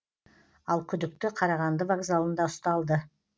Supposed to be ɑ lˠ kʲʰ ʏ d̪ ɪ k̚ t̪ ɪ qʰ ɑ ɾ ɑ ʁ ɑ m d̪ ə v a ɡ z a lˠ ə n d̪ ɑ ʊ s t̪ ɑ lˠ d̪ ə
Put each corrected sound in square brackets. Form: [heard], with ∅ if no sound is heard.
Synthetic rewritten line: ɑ lˠ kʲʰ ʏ d̪ ɪ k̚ t̪ ɪ qʰ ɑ ɾ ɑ ʁ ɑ [n] d̪ ə v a ɡ z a lˠ ə n d̪ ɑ ʊ s t̪ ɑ lˠ d̪ ə

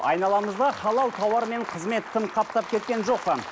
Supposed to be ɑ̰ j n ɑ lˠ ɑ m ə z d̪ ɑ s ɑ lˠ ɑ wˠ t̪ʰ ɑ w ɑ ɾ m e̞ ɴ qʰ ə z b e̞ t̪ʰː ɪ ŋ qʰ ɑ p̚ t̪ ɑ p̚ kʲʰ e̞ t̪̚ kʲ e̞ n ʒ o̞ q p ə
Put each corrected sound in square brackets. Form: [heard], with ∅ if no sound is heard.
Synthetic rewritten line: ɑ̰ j n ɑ lˠ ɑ m ə z d̪ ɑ [χ] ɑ lˠ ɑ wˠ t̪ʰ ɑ w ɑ ɾ m e̞ ɴ qʰ ə z [m] e̞ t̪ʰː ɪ [m] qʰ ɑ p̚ t̪ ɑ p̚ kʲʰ e̞ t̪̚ kʲ e̞ n ʒ o̞ q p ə

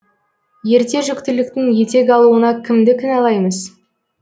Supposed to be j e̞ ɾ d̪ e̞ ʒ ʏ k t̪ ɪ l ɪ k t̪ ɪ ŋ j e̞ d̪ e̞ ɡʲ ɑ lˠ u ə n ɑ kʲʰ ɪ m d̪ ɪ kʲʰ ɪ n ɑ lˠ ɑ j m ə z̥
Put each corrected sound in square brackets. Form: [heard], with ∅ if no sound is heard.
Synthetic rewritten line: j e̞ ɾ [t̪] e̞ ʒ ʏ k t̪ ɪ l ɪ k t̪ ɪ ŋ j e̞ [t̪] e̞ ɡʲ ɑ lˠ u ə n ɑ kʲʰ ɪ m d̪ ɪ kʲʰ ɪ n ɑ lˠ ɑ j m ə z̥

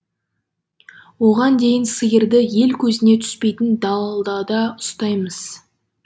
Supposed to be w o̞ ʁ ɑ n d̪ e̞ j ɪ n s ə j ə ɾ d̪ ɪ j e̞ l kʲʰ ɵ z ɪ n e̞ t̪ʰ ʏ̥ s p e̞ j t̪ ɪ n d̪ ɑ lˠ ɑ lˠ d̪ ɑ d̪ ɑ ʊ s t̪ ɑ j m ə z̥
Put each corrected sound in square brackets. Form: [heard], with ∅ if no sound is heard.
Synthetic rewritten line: w o̞ ʁ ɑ n d̪ e̞ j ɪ n s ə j ə ɾ d̪ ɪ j e̞ l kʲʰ ɵ z ɪ n e̞ t̪ʰ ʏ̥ s p e̞ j t̪ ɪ n d̪ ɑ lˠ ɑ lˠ d̪ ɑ d̪ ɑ ʊ s t̪ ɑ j m ə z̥

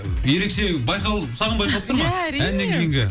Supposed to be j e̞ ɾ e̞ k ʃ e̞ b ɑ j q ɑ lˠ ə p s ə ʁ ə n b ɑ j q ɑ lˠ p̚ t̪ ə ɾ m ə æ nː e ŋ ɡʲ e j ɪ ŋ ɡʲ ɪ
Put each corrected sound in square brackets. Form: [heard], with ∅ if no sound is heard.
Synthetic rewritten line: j e̞ ɾ e̞ k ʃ e̞ b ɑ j q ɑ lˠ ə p s [ɑ] ʁ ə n b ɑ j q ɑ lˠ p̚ t̪ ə ɾ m [ɑ] æ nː e ŋ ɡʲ e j ɪ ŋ ɡʲ ɪ

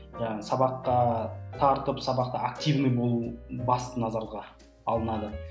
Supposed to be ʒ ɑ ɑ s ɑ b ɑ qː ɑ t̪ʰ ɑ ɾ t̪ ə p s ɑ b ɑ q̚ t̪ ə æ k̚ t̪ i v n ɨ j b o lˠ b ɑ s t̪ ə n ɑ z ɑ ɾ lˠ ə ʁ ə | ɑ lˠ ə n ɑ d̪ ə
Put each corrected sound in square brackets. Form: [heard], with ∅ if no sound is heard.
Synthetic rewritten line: ʒ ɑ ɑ s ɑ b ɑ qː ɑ t̪ʰ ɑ ɾ t̪ ə p s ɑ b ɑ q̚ t̪ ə [a] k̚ t̪ i v n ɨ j b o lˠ b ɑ s t̪ ə n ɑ z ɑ ɾ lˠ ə ʁ [ɑ] | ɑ lˠ ə n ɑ d̪ ə

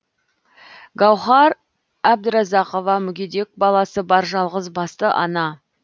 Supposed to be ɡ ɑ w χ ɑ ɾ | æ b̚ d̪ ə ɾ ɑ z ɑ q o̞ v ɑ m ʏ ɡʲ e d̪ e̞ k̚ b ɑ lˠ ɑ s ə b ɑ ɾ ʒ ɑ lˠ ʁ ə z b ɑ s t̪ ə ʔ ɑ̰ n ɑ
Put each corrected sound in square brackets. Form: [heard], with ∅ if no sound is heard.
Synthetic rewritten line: ɡ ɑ w χ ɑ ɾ | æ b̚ d̪ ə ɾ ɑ z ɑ q o̞ v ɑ m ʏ ɡʲ e d̪ e̞ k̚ b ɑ lˠ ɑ s ə b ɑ ɾ ʒ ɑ lˠ ʁ ə z b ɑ s t̪ ə ʔ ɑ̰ n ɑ

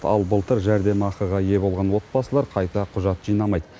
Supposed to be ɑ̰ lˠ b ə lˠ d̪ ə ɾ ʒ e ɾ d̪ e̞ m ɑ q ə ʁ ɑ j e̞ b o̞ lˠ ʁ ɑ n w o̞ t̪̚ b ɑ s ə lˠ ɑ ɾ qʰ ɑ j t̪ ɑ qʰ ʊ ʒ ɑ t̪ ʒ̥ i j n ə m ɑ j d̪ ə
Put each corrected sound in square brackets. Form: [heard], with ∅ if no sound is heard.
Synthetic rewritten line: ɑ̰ lˠ b ə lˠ [t̪] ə ɾ ʒ [æ] ɾ d̪ e̞ m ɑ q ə ʁ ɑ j e̞ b o̞ lˠ ʁ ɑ n w o̞ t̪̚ b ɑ s ə lˠ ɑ ɾ qʰ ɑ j t̪ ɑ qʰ ʊ ʒ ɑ t̪ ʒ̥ i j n [ɑ] m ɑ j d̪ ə

